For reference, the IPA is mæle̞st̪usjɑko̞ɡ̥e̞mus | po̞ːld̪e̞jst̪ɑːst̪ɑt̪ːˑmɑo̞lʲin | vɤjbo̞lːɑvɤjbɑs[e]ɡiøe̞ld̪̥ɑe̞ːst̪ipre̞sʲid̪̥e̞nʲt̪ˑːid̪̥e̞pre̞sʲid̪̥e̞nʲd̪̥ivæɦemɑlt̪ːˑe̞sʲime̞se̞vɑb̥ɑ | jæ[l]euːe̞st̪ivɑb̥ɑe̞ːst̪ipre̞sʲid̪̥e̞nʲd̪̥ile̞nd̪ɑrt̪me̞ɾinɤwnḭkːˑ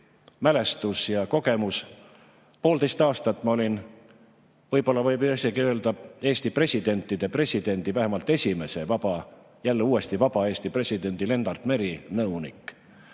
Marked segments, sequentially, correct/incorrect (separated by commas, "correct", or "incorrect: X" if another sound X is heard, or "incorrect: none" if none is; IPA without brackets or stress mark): correct, incorrect: lː